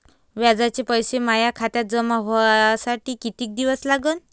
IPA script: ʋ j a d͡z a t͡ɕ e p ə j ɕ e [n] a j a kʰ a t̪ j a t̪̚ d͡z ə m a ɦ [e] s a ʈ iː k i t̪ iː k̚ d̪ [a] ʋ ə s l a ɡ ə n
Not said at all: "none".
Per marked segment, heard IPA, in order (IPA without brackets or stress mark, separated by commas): m, a, i